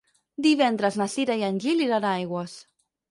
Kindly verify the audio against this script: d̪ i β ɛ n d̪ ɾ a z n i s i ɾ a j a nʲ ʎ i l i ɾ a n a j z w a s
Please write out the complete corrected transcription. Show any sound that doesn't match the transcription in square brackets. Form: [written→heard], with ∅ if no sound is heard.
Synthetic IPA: d̪ i β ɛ n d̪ ɾ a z n [i→a] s i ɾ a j a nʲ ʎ i l i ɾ a n a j [z→ɣ] w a s